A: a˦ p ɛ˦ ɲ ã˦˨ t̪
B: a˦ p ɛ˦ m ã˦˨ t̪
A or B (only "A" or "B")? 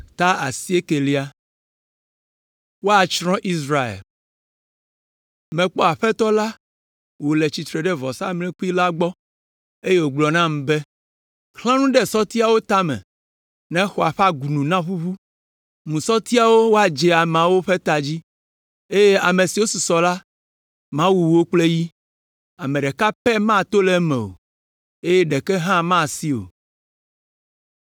B